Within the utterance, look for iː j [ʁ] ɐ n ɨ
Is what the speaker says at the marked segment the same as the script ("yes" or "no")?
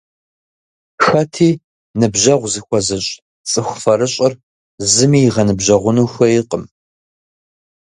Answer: yes